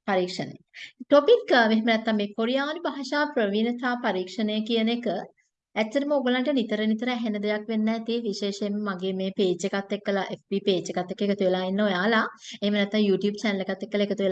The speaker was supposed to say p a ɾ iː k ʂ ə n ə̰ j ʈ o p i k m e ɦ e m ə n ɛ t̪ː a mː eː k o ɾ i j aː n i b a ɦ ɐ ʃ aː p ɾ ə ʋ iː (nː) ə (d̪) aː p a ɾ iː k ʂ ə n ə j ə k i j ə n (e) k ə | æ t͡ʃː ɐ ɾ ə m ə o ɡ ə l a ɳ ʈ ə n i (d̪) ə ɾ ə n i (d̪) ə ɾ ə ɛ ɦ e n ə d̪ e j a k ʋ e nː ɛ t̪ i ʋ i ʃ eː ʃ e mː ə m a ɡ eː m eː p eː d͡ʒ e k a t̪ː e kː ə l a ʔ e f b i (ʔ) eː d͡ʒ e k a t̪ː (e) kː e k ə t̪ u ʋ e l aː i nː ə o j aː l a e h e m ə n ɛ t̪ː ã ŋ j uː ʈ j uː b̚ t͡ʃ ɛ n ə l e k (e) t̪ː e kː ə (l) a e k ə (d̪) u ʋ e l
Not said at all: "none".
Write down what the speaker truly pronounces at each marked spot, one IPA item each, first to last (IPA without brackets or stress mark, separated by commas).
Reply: n, t̪, e, t̪, t̪, p, e, a, l, t̪